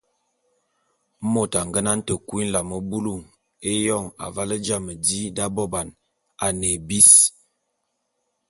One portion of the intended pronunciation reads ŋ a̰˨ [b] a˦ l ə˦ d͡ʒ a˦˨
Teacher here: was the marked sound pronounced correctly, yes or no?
no